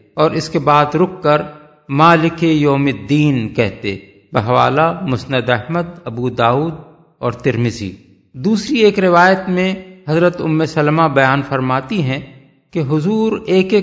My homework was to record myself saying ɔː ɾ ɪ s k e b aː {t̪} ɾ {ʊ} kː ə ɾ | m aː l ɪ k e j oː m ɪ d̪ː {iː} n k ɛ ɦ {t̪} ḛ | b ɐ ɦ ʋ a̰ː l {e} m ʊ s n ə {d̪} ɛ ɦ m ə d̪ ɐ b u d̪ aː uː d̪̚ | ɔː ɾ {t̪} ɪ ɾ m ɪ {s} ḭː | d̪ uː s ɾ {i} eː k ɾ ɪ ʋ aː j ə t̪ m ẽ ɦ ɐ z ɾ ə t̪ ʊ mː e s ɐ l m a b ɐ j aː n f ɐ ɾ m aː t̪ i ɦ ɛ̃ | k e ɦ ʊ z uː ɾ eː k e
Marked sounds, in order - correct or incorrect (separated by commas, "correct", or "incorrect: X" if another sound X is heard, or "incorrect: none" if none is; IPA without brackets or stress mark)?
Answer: incorrect: d̪, correct, correct, correct, incorrect: a, correct, correct, incorrect: z, correct